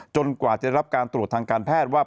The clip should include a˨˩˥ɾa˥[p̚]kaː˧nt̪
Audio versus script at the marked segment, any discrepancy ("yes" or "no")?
no